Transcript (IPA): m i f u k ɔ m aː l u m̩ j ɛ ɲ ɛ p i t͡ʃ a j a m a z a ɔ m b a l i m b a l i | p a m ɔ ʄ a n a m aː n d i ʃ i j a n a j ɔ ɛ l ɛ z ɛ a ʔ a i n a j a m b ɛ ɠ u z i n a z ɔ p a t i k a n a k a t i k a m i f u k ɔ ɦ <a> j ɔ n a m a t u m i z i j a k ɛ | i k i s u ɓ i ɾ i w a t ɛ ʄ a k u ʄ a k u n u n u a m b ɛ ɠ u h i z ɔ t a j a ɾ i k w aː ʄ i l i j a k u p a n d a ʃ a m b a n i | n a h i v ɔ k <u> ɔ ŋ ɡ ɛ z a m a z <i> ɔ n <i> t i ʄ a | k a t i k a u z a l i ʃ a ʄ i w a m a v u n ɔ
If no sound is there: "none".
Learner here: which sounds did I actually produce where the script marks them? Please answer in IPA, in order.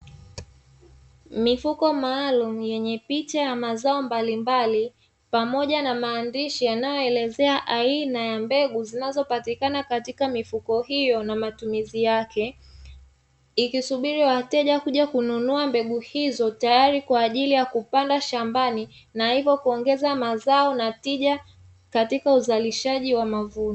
i, u, a, a

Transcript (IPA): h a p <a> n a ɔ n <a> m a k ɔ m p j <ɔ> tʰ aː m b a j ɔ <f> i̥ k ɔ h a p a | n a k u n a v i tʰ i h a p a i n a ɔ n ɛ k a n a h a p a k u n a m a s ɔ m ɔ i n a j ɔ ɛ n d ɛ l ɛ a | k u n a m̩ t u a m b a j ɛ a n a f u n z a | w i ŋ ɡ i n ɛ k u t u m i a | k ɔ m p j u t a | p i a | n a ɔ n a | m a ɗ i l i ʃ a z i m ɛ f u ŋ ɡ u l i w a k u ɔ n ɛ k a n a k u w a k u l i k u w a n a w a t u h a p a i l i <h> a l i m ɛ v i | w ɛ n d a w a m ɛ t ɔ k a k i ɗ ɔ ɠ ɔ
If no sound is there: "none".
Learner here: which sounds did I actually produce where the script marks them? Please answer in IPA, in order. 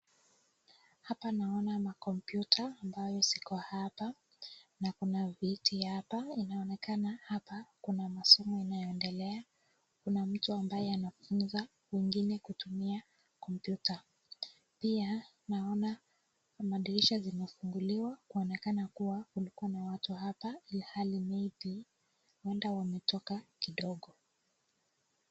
a, a, u, s, h

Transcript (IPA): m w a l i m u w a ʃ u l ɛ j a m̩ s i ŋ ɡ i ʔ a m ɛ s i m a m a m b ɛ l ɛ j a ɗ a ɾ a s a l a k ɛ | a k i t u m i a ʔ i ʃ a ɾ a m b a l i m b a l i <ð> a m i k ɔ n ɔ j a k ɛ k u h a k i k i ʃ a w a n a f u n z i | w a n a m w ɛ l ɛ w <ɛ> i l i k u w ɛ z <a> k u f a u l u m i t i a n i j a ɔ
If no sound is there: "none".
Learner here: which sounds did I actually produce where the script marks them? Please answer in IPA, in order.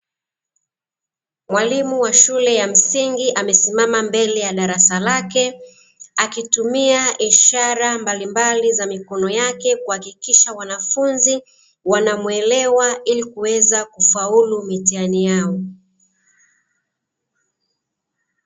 z, a, a

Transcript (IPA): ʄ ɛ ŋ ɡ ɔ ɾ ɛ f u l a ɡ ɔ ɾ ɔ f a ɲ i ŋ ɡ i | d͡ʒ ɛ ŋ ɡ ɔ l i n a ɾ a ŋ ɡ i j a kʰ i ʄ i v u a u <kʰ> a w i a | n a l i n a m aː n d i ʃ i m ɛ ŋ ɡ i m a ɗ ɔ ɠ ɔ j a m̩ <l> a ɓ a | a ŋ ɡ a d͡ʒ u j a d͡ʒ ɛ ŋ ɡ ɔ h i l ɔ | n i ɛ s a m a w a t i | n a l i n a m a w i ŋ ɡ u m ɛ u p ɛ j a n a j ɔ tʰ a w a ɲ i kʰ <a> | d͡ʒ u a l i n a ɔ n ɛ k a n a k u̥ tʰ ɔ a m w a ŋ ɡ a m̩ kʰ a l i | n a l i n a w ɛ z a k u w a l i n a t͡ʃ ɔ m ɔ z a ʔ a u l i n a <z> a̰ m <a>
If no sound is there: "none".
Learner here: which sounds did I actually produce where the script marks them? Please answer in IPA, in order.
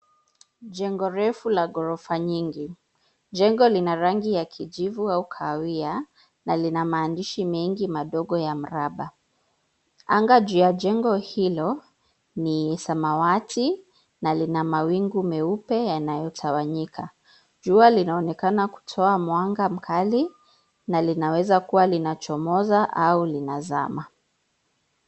kʰ, ɾ, a, z, a

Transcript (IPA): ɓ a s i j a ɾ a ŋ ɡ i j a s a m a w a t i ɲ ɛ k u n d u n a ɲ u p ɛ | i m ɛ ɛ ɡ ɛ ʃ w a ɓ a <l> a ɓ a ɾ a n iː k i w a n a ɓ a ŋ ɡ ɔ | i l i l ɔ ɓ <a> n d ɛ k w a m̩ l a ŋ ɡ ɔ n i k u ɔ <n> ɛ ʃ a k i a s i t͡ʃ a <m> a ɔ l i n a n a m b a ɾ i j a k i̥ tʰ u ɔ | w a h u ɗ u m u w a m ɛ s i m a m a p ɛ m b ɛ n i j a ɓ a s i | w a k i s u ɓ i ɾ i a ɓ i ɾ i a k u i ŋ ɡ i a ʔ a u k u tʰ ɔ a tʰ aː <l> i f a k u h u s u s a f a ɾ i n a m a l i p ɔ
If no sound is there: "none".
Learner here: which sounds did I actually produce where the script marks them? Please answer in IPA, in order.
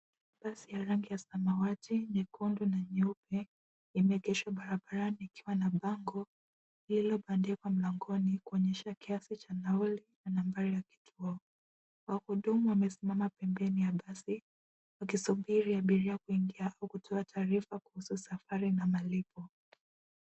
ɾ, a, ɲ, n, ɾ

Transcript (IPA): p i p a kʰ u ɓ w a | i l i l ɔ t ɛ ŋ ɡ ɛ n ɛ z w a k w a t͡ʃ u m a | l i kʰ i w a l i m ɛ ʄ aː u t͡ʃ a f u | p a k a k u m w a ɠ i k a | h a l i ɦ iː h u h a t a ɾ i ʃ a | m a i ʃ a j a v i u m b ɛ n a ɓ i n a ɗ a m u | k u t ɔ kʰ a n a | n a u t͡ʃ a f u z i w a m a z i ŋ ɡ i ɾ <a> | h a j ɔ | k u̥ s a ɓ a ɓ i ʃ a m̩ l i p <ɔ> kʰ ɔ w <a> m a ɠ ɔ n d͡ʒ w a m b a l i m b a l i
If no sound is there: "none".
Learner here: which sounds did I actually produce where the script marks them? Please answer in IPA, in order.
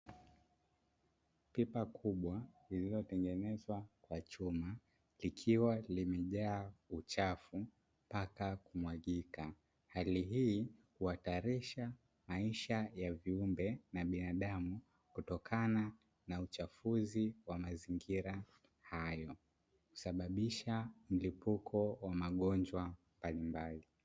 a, u, a

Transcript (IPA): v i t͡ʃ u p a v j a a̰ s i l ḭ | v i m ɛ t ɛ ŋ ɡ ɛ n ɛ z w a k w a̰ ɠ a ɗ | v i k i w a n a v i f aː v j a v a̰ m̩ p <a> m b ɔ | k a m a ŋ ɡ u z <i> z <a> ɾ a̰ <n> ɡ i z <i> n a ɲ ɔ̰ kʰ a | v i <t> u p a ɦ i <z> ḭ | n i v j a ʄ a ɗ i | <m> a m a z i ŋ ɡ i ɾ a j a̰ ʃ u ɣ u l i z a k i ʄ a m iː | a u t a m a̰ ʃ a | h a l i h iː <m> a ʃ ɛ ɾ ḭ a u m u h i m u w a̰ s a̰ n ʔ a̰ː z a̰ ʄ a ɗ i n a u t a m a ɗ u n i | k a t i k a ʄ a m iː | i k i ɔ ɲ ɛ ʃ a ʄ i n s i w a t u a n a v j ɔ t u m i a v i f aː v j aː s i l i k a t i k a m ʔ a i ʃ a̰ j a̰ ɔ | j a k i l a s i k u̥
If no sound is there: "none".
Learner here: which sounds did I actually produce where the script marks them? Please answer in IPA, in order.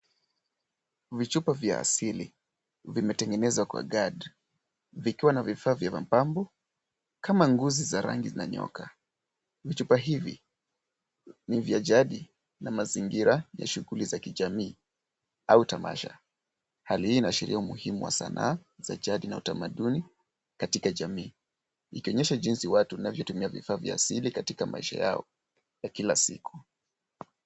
a, i, a, ŋ, i, t͡ʃ, v, n, n

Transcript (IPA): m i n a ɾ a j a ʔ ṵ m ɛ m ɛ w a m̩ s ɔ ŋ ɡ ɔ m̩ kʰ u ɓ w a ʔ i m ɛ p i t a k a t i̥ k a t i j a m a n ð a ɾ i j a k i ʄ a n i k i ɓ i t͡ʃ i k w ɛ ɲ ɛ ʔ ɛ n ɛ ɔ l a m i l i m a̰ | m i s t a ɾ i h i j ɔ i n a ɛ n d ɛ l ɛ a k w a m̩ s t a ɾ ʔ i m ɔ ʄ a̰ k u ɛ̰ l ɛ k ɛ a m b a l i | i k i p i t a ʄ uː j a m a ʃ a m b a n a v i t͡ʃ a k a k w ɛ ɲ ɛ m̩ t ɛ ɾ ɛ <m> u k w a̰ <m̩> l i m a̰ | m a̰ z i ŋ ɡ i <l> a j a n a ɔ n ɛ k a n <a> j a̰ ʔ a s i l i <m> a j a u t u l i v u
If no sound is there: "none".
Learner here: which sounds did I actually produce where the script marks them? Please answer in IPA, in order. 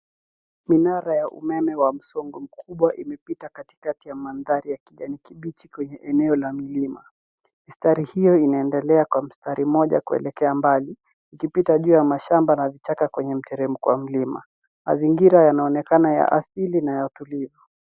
m, m̩, ɾ, a, n

